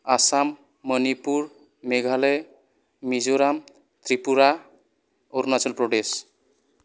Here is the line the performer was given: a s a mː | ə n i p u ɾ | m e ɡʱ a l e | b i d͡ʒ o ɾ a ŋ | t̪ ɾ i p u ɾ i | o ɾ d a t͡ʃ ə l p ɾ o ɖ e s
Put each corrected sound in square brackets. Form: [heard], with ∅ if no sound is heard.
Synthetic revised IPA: a s a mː | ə n i p u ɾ | m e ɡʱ a l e | [m] i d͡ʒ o ɾ a [m] | t̪ ɾ i p u ɾ [a] | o ɾ [n] a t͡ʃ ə l p ɾ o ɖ e s